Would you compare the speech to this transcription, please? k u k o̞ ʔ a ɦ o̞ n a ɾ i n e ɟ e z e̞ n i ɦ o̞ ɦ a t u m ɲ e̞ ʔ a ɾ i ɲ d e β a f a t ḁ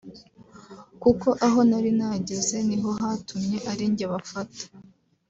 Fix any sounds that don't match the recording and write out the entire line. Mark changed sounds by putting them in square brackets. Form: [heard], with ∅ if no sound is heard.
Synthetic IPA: k u k o̞ ʔ a ɦ o̞ n a ɾ i n [a] ɟ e z e̞ n i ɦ o̞ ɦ a t u m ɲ e̞ ʔ a ɾ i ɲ [ɟ] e β a f a t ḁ